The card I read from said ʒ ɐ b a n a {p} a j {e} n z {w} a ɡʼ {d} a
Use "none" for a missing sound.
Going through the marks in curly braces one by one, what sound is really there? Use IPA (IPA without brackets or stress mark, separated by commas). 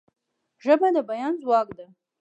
b, a, w, d